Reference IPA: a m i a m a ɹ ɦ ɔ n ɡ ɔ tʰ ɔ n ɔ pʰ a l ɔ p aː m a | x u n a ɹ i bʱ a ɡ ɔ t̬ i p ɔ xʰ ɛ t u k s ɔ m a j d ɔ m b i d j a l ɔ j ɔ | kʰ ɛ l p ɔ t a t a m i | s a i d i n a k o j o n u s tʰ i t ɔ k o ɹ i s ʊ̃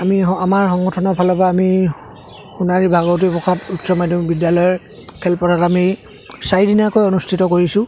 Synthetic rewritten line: a m i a m a ɹ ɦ ɔ ŋ ɡ ɔ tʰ ɔ n ɔ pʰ a l ɔ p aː m i | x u n a ɹ i bʱ a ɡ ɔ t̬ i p ɔ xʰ a t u t s ɔ m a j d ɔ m b i d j a l ɔ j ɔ | kʰ ɛ l p ɔ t a t a m i | s a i d i n a k o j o n u s tʰ i t ɔ k o ɹ i s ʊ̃